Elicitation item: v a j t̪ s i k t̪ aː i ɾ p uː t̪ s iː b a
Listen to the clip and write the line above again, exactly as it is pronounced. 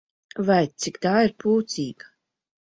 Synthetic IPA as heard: v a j t̪ s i k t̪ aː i ɾ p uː t̪ s iː ɡ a